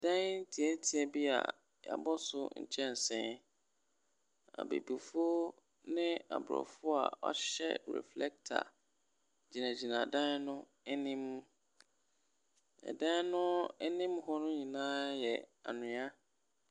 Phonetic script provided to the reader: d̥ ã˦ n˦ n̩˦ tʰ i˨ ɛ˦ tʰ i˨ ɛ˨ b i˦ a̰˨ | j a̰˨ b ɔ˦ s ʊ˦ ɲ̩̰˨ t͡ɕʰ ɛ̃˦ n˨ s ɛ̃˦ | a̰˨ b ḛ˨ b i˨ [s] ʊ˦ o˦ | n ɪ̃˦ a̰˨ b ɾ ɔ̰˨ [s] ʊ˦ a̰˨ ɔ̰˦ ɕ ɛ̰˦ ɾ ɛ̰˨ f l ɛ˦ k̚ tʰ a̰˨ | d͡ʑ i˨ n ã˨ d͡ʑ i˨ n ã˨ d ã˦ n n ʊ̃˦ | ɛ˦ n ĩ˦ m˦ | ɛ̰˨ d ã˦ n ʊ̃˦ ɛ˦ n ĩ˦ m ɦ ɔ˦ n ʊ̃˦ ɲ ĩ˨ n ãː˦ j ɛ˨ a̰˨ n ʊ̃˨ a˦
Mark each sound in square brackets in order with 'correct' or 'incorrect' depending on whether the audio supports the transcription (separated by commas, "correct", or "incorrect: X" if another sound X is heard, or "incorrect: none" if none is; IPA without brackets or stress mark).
incorrect: f, incorrect: f